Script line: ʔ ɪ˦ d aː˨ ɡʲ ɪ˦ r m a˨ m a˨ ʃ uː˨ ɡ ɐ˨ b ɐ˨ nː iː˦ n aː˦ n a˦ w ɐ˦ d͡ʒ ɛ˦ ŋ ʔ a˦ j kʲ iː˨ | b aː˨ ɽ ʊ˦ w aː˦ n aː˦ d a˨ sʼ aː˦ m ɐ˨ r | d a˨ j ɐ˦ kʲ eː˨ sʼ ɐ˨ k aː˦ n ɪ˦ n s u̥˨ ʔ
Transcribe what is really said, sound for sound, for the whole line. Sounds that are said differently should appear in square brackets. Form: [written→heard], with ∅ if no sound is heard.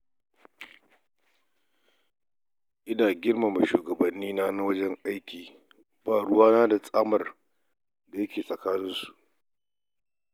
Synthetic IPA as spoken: ʔ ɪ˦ d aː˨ ɡʲ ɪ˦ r m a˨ m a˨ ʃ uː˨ ɡ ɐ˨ b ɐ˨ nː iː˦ n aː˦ n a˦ w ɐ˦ d͡ʒ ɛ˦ ŋ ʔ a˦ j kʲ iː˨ | b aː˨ ɽ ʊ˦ w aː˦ n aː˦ d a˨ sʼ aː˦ m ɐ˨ r | d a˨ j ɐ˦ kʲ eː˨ sʼ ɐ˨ k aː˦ n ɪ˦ n s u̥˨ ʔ